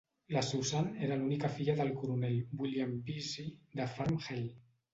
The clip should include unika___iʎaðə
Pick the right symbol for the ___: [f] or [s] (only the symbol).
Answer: f